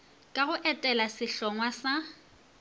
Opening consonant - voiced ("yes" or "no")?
no